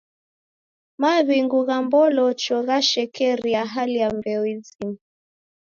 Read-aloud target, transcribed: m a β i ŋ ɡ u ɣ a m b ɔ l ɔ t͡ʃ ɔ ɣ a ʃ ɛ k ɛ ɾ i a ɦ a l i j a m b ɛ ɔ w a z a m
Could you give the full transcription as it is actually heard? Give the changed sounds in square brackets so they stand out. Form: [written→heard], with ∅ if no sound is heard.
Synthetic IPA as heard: m a β i ŋ ɡ u ɣ a m b ɔ l ɔ t͡ʃ ɔ ɣ a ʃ ɛ k ɛ ɾ i a ɦ a l i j a m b ɛ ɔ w [a→i] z [a→i] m